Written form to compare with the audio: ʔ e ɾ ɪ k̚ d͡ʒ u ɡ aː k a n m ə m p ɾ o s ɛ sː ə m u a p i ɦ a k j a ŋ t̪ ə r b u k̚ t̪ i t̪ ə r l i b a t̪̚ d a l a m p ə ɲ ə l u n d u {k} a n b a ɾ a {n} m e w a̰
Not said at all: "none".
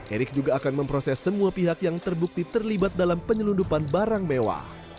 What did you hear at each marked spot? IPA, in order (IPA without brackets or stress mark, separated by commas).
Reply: p, ŋ